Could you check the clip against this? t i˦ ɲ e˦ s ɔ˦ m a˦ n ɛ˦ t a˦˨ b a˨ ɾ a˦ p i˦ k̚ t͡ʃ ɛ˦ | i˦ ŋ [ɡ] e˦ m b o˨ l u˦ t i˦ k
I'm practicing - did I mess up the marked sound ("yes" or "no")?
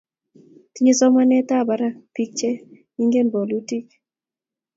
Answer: no